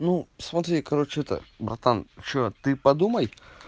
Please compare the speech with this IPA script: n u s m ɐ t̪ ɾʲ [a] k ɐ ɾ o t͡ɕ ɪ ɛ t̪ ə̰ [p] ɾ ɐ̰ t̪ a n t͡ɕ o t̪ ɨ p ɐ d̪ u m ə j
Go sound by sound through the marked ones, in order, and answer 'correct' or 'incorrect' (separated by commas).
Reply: incorrect, incorrect